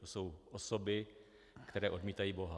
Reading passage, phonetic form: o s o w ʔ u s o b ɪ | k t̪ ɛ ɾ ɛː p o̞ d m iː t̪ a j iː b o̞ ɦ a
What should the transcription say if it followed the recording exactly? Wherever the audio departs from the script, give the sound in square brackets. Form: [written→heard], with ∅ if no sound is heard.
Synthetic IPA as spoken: o s o w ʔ [u→o] s o b ɪ | k t̪ ɛ ɾ ɛː [p→ʔ] o̞ d m iː t̪ a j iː b o̞ ɦ a